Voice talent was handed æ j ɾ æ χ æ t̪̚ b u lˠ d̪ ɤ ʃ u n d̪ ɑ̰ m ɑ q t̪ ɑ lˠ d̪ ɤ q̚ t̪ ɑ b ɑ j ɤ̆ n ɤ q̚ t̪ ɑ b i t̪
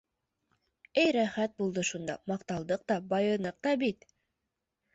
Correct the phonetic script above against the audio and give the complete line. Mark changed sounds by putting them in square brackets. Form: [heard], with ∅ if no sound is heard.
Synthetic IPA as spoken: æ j ɾ æ χ æ t̪̚ b u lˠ d̪ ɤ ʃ u n d̪ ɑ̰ m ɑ q t̪ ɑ lˠ d̪ ɤ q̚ t̪ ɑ b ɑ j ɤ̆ n ɤ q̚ t̪ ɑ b i t̪